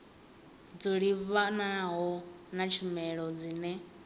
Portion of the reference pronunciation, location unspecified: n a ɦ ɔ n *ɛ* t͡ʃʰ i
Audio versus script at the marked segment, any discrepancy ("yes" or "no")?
yes